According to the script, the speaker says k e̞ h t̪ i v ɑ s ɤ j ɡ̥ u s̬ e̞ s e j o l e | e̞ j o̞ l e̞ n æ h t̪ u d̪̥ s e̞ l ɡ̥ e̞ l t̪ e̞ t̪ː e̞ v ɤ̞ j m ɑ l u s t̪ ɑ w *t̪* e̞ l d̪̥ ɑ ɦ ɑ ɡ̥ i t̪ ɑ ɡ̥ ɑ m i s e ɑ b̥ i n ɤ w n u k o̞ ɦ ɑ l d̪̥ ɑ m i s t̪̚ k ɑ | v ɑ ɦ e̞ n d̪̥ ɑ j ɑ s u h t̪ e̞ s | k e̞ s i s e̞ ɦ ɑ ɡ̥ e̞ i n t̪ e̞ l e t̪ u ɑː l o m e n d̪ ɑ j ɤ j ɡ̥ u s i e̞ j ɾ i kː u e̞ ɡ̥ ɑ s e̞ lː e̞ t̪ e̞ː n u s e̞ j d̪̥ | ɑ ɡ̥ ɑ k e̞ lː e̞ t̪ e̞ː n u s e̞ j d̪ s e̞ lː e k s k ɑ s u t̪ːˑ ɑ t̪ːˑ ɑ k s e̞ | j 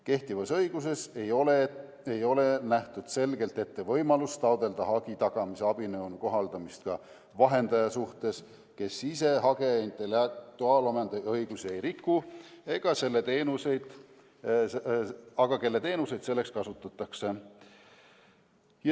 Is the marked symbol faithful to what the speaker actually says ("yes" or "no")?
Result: no